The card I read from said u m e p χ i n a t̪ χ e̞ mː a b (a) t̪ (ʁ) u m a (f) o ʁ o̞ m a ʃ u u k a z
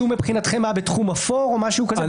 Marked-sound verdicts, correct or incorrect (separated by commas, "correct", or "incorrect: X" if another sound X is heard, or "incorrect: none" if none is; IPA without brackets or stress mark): incorrect: e, incorrect: χ, correct